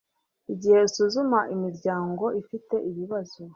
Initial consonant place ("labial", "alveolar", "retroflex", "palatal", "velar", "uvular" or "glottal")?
palatal